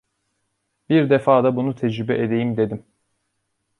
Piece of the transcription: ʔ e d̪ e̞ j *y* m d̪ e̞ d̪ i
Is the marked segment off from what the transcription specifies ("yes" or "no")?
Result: yes